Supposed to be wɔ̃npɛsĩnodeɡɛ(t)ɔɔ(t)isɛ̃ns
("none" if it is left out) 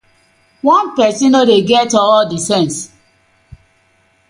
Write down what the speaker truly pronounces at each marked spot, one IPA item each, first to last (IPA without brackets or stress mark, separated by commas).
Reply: t, d